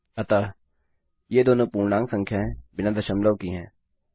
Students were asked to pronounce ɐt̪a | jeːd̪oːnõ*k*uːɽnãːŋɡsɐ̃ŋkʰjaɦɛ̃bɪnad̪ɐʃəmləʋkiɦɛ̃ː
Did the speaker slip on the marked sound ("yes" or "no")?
yes